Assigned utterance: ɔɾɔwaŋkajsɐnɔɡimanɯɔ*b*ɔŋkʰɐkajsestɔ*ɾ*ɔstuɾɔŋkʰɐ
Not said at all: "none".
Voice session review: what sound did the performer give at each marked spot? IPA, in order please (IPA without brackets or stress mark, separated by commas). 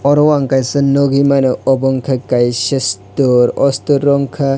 b, ɾ